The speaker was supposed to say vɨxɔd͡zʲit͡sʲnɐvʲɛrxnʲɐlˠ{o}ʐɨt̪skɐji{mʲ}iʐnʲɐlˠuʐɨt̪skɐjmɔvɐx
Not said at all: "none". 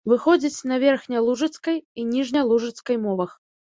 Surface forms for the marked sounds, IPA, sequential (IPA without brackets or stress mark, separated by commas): u, nʲ